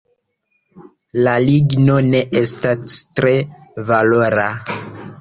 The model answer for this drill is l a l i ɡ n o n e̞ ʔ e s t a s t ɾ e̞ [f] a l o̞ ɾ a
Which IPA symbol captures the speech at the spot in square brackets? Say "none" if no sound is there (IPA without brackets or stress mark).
v